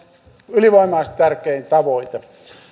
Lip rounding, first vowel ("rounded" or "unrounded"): rounded